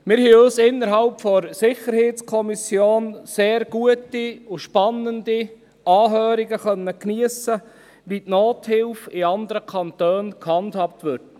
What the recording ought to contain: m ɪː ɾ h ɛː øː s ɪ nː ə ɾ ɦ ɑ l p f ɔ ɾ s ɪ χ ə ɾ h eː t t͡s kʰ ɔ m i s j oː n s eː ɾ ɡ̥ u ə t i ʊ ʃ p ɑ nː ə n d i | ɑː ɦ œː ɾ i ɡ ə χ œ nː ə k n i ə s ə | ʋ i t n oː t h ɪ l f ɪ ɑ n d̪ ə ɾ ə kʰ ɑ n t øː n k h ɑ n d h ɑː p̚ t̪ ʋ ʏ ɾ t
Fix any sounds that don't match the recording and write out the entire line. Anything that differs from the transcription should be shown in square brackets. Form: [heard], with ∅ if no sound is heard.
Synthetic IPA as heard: m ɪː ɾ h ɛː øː s ɪ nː ə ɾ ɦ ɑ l p f ɔ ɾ s ɪ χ ə ɾ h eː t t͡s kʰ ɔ m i s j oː n s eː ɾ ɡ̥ u ə t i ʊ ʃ p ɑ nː ə n d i | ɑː ɦ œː ɾ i ɡ ə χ œ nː ə k n i ə s ə | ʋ i t n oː t h ɪ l f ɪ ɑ n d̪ ə ɾ ə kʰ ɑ n t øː n k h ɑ n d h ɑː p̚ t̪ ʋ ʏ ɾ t